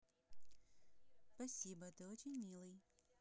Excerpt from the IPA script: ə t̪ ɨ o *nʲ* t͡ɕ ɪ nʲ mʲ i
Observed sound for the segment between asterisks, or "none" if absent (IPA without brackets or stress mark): none